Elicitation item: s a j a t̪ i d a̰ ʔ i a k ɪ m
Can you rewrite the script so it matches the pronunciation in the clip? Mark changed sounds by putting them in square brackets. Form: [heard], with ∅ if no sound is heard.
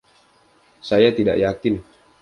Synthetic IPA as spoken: s a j a t̪ i d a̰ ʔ [j] a k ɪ [n]